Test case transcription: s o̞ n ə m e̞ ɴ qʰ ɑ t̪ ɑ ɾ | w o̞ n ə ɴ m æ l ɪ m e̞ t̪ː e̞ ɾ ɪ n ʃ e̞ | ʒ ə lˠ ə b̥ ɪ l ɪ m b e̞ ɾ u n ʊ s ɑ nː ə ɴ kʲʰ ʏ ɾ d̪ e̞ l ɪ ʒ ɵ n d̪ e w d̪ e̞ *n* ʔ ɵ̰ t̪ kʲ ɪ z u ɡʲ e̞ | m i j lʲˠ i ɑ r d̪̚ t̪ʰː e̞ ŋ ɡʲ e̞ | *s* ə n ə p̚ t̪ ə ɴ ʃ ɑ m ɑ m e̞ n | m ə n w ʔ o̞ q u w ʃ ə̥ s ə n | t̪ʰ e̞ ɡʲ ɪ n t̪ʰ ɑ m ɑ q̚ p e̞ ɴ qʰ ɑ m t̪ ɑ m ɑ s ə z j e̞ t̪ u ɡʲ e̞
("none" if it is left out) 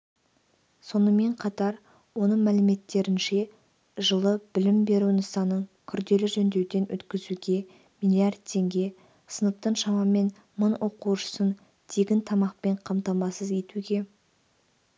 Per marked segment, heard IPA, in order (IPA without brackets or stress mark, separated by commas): n, s